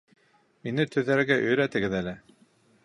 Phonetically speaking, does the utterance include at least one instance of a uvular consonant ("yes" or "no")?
no